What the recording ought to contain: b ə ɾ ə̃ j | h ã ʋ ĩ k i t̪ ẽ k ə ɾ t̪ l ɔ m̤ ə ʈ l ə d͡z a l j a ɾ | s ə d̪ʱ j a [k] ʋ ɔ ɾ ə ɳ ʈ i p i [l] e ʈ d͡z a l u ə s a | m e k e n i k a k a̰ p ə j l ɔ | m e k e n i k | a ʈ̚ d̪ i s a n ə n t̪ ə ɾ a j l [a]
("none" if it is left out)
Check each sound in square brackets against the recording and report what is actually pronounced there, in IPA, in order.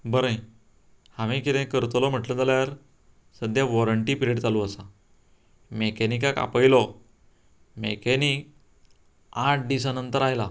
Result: none, ɾ, a

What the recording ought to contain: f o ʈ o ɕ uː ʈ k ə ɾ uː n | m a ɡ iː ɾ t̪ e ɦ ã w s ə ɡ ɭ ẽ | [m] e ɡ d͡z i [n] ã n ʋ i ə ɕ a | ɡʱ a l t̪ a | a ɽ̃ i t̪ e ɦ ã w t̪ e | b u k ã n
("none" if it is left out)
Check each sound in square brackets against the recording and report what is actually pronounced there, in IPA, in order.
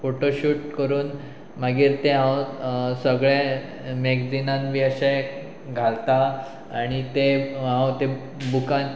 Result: m, n

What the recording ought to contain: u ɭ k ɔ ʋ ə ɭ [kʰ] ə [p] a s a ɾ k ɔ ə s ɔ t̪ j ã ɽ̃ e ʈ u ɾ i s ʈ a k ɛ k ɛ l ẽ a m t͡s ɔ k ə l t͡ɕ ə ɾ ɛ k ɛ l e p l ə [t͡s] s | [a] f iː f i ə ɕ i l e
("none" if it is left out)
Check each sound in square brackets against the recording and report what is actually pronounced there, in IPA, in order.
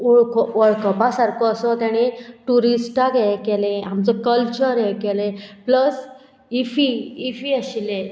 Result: k, p, none, i

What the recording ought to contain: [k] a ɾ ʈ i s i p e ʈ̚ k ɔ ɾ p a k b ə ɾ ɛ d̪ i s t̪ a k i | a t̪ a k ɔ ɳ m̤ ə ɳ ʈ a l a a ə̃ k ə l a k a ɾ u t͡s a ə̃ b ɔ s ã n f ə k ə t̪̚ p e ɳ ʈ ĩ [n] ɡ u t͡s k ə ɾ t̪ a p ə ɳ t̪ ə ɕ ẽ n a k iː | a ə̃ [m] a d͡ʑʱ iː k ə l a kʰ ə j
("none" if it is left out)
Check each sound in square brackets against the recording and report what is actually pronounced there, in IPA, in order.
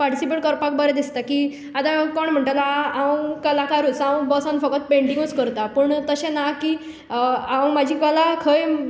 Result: p, ŋ, m

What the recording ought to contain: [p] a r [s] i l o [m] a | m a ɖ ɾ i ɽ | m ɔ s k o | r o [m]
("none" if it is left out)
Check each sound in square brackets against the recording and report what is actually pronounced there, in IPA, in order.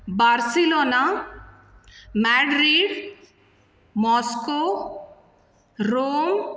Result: b, s, n, m

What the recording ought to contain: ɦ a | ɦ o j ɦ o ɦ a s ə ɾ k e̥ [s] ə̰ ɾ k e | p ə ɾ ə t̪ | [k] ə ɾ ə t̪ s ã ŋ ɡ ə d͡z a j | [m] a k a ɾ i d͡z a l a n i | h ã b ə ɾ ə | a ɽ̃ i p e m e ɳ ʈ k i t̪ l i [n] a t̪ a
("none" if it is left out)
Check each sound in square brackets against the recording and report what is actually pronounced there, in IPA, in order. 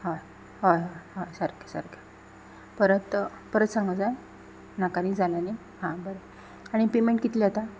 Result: s, p, n, none

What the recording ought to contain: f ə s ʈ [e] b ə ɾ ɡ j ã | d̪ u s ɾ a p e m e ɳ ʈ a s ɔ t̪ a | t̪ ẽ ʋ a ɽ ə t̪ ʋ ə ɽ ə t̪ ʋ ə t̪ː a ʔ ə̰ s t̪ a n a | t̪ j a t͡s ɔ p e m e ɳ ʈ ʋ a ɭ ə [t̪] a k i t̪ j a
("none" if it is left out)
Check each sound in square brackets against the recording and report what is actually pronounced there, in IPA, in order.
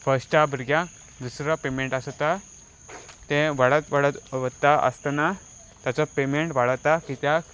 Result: a, t̪

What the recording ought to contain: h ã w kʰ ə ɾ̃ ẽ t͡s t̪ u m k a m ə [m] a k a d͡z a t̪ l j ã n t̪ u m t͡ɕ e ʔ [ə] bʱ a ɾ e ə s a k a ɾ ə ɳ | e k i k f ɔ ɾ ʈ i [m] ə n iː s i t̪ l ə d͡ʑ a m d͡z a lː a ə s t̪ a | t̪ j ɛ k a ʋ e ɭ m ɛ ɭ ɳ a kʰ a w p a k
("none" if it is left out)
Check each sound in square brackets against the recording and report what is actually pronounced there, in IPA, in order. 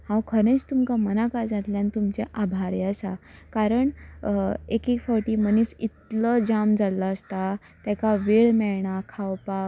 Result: n, a, m

